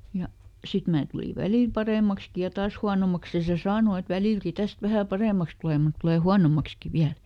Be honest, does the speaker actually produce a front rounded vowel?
no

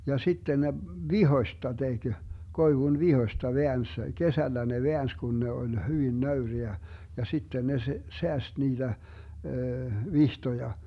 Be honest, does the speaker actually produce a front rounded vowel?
yes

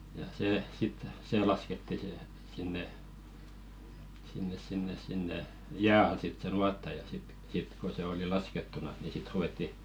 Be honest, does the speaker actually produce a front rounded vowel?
no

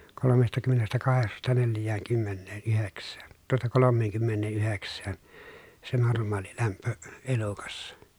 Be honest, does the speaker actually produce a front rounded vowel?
yes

